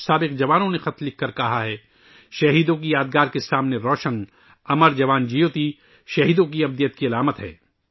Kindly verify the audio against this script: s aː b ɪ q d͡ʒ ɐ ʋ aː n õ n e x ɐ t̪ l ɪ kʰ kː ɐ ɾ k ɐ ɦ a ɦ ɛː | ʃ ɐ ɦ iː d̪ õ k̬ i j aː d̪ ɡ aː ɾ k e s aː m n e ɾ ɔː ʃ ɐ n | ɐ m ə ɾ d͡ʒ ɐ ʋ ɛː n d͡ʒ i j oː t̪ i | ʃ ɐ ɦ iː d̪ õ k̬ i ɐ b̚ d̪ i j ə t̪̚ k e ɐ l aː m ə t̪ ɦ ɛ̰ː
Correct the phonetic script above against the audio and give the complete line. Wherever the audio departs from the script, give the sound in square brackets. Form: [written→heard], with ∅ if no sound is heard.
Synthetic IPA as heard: s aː b ɪ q d͡ʒ ɐ ʋ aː n õ n e x ɐ t̪ l ɪ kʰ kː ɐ ɾ k ɐ ɦ a ɦ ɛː | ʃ ɐ ɦ iː d̪ õ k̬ i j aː d̪ ɡ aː ɾ k e s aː m n e ɾ ɔː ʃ [ɐ→ə] n | ɐ m ə ɾ d͡ʒ ɐ ʋ [ɛː→aː] n d͡ʒ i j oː t̪ i | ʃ ɐ ɦ iː d̪ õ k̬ i ɐ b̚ d̪ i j ə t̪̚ k [e→i] ɐ l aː m ə t̪ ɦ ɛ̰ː